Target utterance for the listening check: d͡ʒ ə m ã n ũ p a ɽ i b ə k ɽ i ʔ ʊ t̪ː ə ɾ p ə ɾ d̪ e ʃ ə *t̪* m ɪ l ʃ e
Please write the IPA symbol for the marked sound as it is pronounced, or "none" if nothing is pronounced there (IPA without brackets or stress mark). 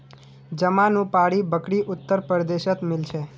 t̪